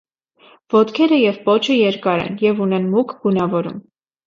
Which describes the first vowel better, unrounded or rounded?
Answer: rounded